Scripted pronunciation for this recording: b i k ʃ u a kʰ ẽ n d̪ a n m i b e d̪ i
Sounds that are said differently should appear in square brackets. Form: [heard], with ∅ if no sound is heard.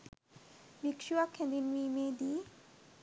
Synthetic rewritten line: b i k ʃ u a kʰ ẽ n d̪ [i] n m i [m] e d̪ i